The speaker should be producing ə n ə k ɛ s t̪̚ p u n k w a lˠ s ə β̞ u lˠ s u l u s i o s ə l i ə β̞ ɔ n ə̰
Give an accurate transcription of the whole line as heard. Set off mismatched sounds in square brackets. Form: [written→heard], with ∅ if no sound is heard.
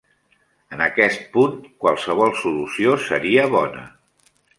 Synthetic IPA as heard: ə n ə k ɛ s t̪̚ p u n k w a lˠ s ə β̞ [u→ɔ] lˠ s u l u s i o s ə [l→ɾ] i ə β̞ ɔ n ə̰